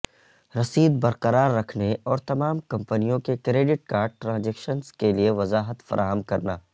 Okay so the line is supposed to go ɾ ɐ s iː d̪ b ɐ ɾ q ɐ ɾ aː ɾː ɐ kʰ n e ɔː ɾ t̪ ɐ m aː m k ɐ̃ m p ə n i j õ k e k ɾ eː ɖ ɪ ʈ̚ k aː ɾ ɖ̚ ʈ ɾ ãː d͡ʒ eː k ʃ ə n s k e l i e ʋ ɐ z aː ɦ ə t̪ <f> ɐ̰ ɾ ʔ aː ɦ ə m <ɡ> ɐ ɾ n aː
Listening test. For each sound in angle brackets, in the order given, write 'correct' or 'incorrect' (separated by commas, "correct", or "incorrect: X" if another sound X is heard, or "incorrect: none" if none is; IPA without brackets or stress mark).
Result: correct, incorrect: k